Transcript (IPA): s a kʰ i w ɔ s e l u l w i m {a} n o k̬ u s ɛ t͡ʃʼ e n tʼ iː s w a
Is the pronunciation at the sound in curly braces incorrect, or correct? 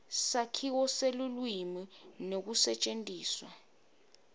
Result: incorrect: i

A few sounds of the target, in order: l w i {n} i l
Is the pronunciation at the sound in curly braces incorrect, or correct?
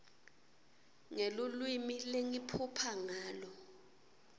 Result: incorrect: m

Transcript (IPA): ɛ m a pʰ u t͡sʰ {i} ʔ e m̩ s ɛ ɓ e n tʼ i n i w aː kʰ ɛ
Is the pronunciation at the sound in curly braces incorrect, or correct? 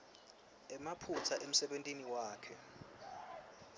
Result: incorrect: a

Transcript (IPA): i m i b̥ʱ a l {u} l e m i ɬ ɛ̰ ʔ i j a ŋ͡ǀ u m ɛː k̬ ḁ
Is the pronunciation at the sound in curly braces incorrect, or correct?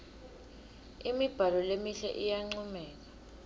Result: incorrect: ɔ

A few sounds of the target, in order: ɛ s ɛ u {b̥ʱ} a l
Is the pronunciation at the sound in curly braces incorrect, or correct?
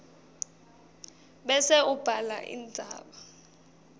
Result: correct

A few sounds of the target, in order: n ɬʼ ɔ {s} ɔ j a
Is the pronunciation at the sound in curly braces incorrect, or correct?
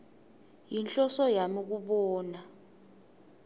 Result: correct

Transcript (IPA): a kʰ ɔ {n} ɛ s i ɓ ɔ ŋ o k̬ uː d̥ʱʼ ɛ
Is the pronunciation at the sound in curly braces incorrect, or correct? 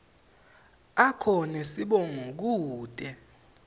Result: correct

